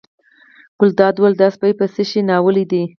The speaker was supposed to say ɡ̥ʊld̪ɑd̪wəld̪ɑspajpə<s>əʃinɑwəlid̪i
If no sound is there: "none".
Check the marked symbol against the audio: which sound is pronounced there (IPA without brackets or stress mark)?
s